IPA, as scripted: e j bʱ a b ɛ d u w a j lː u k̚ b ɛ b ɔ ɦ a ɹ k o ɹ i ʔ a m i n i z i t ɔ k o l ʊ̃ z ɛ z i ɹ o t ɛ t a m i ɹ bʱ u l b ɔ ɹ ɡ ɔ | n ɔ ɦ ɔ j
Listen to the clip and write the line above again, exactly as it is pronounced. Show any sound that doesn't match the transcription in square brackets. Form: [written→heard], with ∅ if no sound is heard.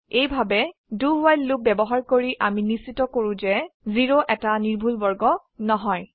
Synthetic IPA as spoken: e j bʱ a b ɛ d u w a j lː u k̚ b ɛ b ɔ ɦ a ɹ k o ɹ i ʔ a m i n i [z→s] i t ɔ k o [l→ɹ] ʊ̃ z ɛ z i ɹ o [t→ʔ] ɛ t a [m→n] i ɹ bʱ u l b ɔ ɹ ɡ ɔ | n ɔ ɦ ɔ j